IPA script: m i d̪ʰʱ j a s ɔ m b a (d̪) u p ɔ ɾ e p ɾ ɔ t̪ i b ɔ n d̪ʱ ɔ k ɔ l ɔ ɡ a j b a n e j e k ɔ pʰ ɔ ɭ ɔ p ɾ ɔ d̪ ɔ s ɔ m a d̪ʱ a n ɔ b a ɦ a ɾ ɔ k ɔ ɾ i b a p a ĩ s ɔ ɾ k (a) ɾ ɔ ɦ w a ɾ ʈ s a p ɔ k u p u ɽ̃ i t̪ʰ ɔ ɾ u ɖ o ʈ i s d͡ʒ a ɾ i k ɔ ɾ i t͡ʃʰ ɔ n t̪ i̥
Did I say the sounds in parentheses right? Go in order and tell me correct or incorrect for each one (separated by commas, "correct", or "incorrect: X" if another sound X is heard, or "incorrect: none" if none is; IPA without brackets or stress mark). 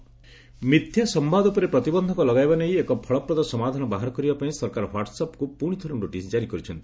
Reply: correct, correct